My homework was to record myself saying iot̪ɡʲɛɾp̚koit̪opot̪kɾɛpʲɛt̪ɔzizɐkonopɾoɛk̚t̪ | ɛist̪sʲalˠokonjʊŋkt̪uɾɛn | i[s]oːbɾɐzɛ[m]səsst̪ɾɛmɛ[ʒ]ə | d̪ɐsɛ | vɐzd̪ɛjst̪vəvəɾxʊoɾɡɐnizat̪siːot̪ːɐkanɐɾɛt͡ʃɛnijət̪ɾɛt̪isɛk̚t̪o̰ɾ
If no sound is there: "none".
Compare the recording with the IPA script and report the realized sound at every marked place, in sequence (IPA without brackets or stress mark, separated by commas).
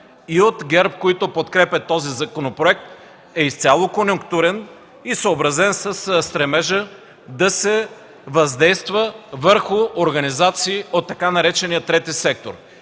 s, n, ʒ